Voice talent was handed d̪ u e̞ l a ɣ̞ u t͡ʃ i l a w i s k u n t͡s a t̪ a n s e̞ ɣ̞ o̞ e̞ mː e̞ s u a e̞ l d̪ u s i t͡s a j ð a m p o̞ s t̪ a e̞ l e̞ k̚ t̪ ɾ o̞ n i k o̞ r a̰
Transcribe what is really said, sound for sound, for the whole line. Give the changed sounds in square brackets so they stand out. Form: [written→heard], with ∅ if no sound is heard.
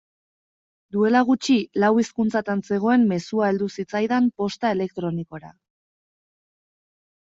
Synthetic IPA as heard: d̪ u e̞ l a ɣ̞ u t͡ʃ i l a w i s k u n t͡s a t̪ a n s e̞ ɣ̞ o̞ e̞ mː e̞ s u a e̞ l d̪ u s i t͡s a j ð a m p o̞ s t̪ a e̞ l e̞ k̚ t̪ ɾ o̞ n i k o̞ [r→ɾ] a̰